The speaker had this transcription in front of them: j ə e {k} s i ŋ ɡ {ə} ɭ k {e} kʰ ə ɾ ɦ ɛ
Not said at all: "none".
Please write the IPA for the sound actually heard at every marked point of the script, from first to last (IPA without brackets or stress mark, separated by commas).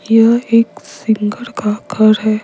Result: k, ə, a